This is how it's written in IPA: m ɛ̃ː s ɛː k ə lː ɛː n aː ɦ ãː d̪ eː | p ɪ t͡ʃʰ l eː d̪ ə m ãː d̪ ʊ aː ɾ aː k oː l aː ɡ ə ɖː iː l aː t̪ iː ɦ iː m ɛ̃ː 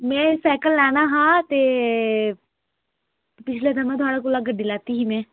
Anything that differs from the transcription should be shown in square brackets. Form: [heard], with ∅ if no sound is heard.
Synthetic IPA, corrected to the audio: m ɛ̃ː s ɛː k ə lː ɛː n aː ɦ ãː [t̪] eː | p ɪ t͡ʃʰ l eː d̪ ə m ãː [t̪] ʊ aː [ɽ] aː k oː l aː ɡ ə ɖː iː l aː t̪ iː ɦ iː m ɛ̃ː